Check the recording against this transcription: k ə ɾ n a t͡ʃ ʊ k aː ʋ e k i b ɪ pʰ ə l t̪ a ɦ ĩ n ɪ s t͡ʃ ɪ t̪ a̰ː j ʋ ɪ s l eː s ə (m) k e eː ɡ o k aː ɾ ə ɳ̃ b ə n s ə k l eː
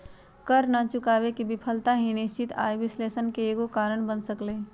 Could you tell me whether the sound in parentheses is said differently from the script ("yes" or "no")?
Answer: yes